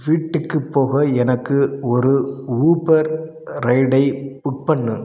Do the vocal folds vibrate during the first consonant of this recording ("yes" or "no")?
yes